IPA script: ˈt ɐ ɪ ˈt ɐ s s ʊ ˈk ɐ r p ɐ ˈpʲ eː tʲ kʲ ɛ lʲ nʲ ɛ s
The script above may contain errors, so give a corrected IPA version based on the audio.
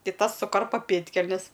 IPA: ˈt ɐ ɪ ˈt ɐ s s ʊ ˈk ɐ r p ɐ ˈpʲ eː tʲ kʲ ɛ lʲ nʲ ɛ s